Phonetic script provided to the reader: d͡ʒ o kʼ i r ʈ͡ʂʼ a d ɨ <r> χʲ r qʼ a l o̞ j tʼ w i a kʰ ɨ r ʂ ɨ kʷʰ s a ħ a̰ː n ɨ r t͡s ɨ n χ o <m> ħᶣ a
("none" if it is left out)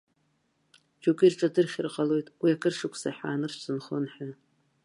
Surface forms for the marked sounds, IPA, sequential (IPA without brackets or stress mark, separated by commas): r, n